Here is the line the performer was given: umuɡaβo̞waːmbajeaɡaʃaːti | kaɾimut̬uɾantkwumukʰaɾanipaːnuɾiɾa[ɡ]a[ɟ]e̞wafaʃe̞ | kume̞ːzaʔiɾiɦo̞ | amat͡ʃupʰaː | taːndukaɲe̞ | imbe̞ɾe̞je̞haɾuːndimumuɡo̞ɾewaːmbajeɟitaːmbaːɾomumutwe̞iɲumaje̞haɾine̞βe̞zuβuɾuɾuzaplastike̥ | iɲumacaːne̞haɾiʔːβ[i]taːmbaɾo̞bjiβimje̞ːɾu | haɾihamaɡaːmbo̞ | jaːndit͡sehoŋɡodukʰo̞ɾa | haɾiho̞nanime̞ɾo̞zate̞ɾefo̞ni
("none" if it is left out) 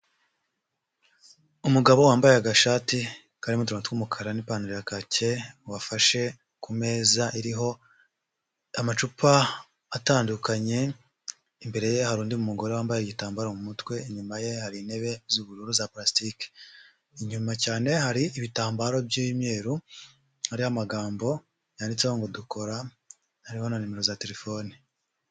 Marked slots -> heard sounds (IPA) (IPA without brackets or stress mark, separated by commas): k, c, i